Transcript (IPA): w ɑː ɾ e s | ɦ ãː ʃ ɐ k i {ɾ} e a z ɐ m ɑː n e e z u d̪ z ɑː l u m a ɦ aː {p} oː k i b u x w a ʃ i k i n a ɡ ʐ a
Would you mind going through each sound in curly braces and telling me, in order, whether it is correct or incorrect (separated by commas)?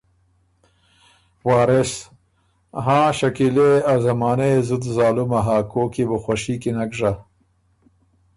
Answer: incorrect, incorrect